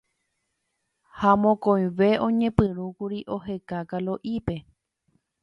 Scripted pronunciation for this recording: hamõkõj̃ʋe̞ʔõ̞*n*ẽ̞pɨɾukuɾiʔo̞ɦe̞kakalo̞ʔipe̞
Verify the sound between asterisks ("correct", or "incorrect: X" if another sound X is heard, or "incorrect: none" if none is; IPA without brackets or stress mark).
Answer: incorrect: ɲ